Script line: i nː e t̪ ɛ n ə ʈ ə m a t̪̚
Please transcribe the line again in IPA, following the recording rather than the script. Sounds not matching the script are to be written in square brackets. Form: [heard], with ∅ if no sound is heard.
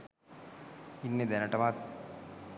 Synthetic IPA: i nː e [d̪] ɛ n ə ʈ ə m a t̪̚

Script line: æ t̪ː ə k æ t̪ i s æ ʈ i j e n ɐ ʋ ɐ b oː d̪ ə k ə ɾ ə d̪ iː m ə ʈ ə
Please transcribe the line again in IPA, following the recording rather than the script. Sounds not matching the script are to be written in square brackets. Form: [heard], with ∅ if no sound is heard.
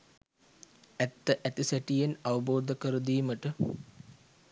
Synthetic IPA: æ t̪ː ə [ʔ] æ t̪ i s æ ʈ i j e n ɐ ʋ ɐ b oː d̪ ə k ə ɾ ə d̪ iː m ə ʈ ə

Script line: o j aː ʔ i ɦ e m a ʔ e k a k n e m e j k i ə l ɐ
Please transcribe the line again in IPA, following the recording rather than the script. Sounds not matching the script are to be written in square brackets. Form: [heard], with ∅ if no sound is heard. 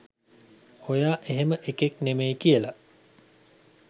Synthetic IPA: o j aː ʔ [e] ɦ e m [ə] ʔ e k [e] k n e m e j k i ə l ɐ

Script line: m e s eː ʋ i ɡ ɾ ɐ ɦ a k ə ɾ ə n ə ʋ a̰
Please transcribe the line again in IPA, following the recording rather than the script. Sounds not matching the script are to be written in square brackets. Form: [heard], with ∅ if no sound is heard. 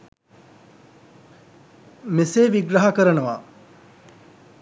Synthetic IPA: m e s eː ʋ i ɡ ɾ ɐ ɦ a k ə ɾ ə n ə ʋ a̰

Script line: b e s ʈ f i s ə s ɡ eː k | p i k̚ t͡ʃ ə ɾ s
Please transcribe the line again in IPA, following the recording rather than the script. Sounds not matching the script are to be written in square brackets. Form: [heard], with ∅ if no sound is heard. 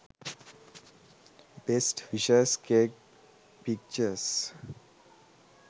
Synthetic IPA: b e s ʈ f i [ʃ] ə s [k] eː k | p i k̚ t͡ʃ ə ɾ s

